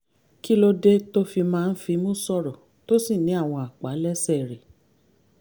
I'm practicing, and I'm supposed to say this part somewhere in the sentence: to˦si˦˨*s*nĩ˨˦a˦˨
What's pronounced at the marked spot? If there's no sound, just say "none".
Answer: none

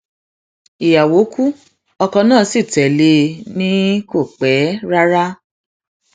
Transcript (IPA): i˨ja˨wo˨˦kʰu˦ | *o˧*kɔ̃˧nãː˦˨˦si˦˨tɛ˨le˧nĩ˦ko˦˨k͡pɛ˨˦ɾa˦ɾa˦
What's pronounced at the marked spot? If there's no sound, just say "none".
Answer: ɔ˧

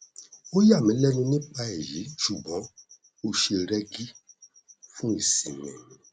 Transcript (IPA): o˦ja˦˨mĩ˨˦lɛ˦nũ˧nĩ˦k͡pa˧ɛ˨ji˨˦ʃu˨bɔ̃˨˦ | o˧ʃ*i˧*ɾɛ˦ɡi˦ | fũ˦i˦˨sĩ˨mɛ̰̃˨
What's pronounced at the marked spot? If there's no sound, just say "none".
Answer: e˧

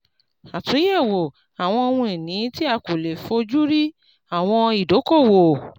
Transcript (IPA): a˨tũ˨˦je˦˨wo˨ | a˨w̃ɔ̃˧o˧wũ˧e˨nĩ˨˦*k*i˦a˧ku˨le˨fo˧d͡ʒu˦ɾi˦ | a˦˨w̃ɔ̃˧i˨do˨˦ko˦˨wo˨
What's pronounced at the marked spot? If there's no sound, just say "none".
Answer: t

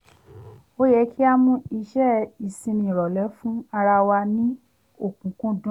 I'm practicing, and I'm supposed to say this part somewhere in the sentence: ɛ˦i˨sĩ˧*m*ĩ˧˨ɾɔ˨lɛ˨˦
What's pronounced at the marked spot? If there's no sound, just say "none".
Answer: n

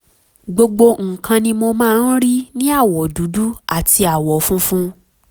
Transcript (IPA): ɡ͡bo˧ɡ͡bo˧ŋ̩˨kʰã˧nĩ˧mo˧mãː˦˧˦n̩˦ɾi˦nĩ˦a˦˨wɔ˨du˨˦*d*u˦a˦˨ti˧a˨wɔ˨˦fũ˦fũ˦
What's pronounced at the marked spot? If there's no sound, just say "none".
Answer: d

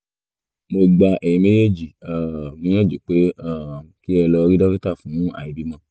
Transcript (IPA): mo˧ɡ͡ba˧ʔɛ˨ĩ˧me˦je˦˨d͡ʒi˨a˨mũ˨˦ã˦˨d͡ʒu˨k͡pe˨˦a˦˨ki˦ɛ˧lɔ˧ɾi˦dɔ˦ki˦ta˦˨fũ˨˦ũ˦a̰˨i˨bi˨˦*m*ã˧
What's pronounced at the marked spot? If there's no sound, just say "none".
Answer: m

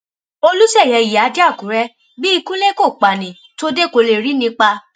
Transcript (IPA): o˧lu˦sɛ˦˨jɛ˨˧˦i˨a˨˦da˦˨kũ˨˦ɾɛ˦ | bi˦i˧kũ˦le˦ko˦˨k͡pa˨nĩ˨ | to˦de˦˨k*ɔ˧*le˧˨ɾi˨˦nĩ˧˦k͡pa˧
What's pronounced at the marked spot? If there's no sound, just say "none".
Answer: o˧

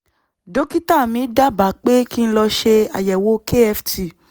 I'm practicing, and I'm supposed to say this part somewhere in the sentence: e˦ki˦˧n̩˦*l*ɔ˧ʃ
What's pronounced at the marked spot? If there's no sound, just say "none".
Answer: l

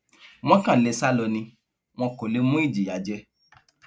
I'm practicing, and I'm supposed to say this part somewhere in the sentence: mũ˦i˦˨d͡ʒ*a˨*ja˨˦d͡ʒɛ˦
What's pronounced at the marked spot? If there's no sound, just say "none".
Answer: i˨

